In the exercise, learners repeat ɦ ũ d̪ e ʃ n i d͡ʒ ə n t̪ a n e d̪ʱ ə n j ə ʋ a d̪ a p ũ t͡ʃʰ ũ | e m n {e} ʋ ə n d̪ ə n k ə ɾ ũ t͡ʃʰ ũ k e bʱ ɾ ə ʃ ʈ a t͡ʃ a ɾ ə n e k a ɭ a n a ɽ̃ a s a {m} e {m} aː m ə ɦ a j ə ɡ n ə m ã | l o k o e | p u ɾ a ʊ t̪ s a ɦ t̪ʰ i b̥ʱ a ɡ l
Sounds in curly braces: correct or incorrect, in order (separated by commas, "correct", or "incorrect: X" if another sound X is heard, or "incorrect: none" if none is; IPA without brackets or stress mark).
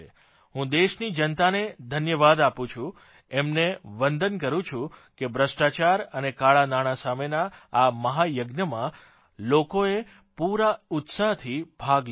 correct, correct, incorrect: n